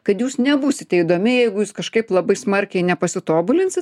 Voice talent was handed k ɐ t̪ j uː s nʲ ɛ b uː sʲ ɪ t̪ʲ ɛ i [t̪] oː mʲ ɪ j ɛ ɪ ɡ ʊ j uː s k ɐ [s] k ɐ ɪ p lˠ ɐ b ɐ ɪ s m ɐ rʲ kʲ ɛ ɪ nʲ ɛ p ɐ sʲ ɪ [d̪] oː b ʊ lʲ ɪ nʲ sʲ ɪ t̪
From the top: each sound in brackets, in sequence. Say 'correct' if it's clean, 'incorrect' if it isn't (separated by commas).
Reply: incorrect, incorrect, incorrect